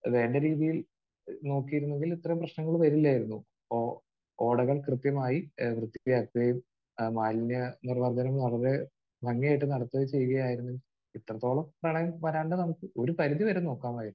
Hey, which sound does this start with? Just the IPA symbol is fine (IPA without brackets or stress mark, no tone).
ʋ